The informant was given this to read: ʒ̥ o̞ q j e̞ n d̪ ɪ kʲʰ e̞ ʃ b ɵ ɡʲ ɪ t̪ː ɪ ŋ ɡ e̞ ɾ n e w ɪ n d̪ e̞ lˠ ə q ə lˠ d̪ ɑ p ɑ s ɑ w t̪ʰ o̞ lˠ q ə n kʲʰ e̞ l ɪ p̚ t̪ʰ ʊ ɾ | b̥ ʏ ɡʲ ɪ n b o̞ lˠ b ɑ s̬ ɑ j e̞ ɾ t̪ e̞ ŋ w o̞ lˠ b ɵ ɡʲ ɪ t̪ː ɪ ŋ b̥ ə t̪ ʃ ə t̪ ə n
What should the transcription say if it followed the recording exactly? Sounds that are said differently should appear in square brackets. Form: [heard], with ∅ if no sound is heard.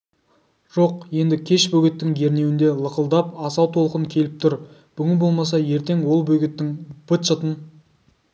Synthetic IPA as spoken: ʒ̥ o̞ q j e̞ n d̪ ɪ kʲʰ e̞ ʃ b ɵ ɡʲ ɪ t̪ː ɪ ŋ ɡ e̞ ɾ n e w ɪ n d̪ e̞ lˠ ə q ə lˠ d̪ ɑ p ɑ s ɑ w t̪ʰ o̞ lˠ q ə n kʲʰ e̞ l ɪ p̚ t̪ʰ ʊ ɾ | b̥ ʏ ɡʲ ɪ n b o̞ lˠ [m] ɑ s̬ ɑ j e̞ ɾ t̪ e̞ ŋ w o̞ lˠ b ɵ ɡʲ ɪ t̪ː ɪ ŋ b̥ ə t̪ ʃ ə t̪ ə n